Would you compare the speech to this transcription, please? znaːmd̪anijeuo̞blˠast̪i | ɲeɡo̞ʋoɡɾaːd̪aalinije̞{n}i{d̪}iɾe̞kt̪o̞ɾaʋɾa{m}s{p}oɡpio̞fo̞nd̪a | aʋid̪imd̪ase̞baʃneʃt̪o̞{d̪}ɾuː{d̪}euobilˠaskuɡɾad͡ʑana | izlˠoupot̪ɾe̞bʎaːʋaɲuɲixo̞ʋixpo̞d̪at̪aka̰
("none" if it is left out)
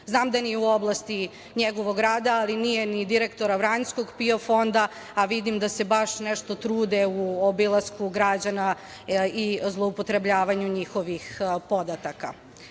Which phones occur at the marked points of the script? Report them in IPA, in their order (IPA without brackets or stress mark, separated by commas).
n, d̪, ɲ, k, t̪, d̪